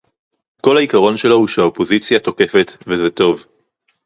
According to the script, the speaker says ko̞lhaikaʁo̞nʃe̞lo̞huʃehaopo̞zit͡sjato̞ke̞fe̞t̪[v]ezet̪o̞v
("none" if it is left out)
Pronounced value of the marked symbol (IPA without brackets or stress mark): v